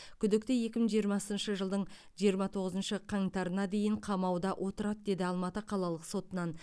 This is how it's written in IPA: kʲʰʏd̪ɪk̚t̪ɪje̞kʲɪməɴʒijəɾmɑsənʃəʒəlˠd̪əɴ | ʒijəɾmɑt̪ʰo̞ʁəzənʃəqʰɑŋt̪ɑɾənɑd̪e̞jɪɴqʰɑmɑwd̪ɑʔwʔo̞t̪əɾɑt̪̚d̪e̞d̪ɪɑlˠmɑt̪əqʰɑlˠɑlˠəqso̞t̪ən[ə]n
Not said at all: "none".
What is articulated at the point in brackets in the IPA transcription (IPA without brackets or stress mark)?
ɑ